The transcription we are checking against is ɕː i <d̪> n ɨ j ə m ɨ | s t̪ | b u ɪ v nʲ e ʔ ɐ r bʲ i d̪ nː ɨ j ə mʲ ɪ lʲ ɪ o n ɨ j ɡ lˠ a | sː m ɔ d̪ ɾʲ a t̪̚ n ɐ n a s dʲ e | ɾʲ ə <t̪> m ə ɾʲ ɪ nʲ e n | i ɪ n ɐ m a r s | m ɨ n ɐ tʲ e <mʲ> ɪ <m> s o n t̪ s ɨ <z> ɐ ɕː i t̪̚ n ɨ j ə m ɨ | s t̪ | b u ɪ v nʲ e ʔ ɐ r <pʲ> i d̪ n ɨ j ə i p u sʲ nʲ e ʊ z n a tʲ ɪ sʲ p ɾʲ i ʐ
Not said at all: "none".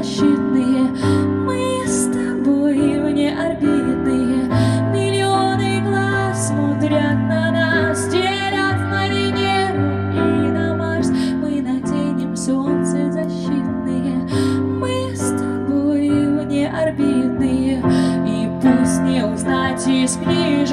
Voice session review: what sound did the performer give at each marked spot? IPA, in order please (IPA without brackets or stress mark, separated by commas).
t̪, t̪, nʲ, m, z, bʲ